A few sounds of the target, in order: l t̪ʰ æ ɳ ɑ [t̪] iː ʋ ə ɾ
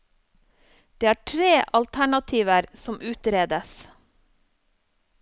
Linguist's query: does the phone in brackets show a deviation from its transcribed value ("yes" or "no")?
yes